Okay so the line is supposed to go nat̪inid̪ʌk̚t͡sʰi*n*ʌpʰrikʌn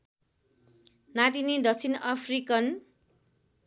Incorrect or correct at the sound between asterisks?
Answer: correct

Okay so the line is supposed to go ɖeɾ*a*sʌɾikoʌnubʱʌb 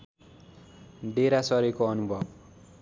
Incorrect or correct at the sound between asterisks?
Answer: correct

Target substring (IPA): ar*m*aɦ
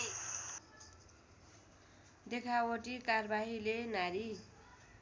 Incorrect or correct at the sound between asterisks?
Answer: incorrect: b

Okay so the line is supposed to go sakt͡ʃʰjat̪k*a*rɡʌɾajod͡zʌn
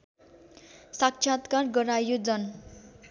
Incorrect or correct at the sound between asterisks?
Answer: correct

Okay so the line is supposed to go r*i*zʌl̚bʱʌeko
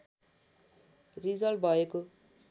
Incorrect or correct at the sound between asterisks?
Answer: correct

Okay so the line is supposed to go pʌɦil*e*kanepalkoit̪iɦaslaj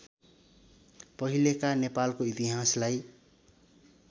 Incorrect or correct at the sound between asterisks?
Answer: correct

